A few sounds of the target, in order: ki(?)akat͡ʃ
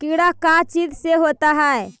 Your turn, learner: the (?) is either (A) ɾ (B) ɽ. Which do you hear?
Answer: B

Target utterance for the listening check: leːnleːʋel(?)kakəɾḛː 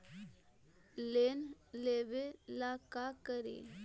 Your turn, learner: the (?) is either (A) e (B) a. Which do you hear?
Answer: B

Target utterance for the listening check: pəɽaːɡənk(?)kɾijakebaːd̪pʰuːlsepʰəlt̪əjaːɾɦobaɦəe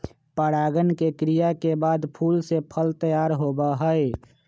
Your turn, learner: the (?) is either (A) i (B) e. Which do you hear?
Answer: B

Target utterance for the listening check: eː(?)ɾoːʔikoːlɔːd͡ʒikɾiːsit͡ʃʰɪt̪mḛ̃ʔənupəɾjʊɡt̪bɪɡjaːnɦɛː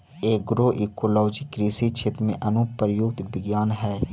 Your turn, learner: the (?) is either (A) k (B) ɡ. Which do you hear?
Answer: B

